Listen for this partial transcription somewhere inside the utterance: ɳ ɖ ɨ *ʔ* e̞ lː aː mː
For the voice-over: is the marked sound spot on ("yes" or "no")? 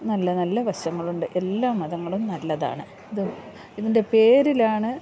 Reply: yes